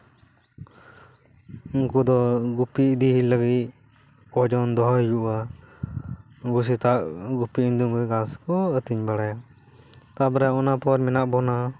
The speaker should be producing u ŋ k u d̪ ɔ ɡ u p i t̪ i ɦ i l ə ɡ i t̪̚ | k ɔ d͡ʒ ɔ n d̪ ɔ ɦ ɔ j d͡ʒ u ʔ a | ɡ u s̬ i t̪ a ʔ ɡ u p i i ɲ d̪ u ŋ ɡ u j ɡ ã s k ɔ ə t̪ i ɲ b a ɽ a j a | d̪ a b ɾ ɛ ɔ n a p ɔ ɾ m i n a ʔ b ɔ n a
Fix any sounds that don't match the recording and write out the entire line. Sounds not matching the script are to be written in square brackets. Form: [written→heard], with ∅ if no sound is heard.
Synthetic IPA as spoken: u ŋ k u d̪ ɔ ɡ u p i [t̪→d̪] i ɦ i l ə ɡ i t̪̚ | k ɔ d͡ʒ ɔ n d̪ ɔ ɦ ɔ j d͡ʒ u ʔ a | ɡ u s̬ i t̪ a ʔ ɡ u p i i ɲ d̪ u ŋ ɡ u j ɡ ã s k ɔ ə t̪ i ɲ b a ɽ a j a | [d̪→t̪] a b ɾ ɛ ɔ n a p ɔ ɾ m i n a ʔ b ɔ n a